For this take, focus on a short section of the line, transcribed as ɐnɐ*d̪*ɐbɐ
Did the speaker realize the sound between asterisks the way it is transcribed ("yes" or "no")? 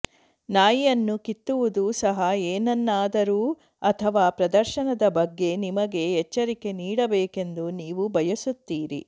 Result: yes